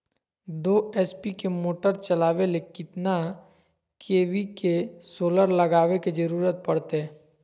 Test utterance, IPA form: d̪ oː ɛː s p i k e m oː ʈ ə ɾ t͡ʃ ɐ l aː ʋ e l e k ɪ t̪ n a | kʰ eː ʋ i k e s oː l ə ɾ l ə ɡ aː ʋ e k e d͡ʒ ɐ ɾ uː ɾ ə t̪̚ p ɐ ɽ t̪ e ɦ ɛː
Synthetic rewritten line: d̪ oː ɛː s p i k e m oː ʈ ə ɾ t͡ʃ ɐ l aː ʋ e l e k ɪ t̪ n a | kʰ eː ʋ i k e s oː l ə ɾ l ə ɡ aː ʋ e k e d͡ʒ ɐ ɾ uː ɾ ə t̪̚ p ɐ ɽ t̪ e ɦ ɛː